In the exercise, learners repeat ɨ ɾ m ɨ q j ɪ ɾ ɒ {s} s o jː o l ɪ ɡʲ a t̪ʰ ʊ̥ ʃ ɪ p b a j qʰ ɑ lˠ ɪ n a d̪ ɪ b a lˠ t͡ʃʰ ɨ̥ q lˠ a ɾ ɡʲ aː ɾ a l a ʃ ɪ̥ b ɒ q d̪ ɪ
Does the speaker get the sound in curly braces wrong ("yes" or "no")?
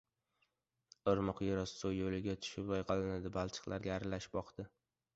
no